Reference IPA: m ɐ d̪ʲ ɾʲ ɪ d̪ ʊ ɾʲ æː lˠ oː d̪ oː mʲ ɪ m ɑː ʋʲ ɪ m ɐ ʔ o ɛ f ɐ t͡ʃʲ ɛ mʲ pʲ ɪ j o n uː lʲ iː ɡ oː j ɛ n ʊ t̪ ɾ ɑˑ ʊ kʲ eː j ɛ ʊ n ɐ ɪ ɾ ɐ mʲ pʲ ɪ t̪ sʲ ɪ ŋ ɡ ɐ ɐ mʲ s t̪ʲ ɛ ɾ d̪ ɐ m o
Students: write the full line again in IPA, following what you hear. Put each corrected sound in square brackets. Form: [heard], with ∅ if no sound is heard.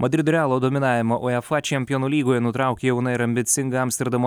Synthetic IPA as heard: m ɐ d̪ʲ ɾʲ ɪ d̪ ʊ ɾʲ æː lˠ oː d̪ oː mʲ ɪ [n] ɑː ʋʲ ɪ m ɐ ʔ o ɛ f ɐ t͡ʃʲ ɛ mʲ pʲ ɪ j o n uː lʲ iː ɡ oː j ɛ n ʊ t̪ ɾ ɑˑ ʊ kʲ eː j ɛ ʊ n ɐ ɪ ɾ ɐ mʲ [bʲ] ɪ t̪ sʲ ɪ ŋ ɡ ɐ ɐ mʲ s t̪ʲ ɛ ɾ d̪ ɐ m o